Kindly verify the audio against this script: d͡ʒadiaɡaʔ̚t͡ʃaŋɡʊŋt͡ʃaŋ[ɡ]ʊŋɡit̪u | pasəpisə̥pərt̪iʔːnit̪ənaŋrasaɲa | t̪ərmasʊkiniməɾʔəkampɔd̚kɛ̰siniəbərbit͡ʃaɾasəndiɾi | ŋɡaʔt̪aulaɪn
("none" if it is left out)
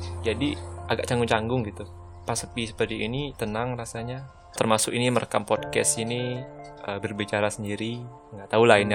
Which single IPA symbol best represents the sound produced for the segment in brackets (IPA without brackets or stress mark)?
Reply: ɡ